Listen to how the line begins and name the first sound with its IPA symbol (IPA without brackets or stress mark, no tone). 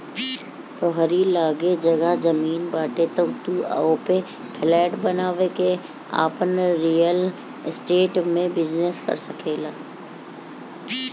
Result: t̪